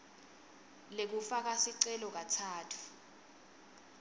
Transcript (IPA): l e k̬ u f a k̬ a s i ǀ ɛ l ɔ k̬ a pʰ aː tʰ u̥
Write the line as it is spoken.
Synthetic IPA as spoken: l e k̬ u f a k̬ a s i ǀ ɛ l ɔ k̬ a tʰ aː tʰ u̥